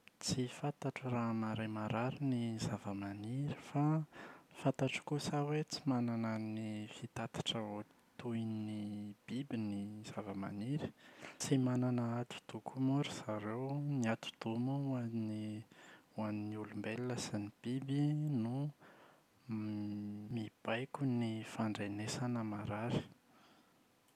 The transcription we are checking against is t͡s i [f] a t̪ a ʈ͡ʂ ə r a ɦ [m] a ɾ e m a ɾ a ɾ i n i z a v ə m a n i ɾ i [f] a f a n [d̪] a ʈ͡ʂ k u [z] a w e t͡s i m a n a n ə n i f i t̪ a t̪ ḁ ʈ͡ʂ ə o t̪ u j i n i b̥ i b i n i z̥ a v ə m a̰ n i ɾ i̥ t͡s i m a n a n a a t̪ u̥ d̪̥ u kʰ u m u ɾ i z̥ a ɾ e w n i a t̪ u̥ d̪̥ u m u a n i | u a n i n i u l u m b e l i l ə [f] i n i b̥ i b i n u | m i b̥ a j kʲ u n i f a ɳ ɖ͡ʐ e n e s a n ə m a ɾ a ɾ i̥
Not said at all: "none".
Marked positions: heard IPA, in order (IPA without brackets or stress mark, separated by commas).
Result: f, m, f, t̪, s, s